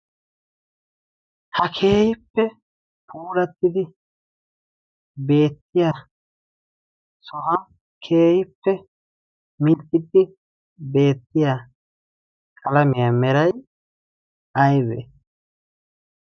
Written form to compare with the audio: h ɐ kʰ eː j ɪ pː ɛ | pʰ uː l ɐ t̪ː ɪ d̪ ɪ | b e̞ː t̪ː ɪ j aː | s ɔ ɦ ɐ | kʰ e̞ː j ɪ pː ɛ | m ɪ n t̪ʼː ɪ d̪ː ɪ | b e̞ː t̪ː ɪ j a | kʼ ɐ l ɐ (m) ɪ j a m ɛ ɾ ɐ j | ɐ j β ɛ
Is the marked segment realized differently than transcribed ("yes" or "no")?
no